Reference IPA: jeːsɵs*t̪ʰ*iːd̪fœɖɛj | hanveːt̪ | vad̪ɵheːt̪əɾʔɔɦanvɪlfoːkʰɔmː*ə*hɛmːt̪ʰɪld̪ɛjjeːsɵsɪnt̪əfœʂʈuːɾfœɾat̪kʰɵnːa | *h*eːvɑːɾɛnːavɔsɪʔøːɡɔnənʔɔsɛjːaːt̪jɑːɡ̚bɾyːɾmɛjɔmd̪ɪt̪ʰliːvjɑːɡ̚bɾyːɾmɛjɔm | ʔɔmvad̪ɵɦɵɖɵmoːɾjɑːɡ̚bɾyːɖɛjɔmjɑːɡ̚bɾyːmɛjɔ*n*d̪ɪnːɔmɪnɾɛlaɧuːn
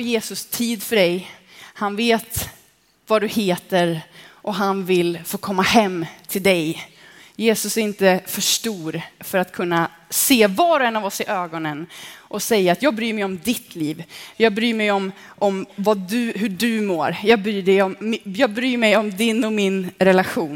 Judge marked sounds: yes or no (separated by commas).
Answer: yes, no, no, no